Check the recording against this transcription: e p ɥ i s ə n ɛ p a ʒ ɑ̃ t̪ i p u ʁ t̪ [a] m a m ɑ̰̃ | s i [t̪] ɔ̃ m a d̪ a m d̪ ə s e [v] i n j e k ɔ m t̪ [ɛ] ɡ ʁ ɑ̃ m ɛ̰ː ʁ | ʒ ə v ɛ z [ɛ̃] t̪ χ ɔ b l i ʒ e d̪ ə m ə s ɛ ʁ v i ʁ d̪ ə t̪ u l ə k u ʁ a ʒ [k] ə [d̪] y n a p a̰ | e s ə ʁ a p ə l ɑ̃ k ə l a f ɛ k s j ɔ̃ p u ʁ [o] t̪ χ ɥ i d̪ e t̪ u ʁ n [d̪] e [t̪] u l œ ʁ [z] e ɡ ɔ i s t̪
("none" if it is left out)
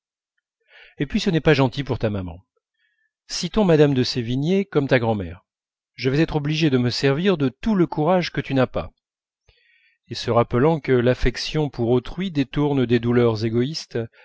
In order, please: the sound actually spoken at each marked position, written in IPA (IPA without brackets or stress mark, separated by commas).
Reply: a, t̪, v, a, ɛ, k, t̪, o, d̪, d̪, z